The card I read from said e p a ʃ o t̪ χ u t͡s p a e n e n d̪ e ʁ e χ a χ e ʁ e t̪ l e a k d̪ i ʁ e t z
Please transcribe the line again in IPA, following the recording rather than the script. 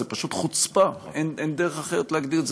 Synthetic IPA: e p a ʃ u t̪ χ u t͡s p a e n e n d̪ e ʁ e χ a χ e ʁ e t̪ l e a ɡ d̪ i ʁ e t z